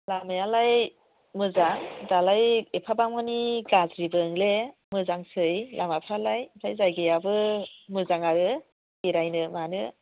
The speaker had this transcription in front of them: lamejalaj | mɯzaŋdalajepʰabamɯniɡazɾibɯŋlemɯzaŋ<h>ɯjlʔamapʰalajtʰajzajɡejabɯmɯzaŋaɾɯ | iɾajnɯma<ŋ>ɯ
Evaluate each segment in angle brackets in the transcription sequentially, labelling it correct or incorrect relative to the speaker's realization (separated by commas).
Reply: incorrect, incorrect